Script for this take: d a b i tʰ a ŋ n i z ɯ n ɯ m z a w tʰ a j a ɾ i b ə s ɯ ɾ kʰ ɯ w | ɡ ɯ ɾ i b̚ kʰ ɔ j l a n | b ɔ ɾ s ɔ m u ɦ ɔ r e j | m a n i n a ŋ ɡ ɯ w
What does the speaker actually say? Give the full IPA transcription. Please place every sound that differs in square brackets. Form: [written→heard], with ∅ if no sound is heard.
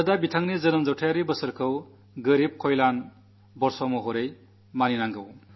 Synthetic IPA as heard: d a b i tʰ a ŋ n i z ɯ n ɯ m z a w tʰ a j a ɾ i b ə s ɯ ɾ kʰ ɯ w | ɡ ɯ ɾ i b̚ kʰ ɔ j l a n | b ɔ ɾ s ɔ m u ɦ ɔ [r→ɾ] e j | m a n i n a ŋ ɡ ɯ w